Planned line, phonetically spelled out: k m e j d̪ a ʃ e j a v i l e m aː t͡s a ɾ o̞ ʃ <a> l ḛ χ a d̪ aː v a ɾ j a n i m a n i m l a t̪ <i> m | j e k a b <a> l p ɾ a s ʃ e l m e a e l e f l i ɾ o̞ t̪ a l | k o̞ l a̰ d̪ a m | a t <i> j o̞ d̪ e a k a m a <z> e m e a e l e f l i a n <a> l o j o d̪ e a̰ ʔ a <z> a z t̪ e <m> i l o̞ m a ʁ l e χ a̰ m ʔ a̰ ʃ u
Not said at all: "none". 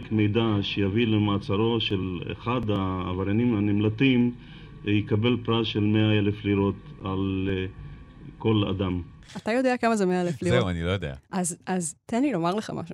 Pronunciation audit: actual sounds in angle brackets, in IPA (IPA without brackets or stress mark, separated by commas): e, i, e, a, z, i, z, n